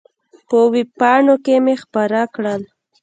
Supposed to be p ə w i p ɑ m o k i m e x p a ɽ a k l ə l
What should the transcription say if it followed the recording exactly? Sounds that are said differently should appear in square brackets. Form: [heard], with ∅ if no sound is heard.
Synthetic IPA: p ə w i p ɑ [ɳ] o k [e] m e x p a [ɾ] a k [ɽ] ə l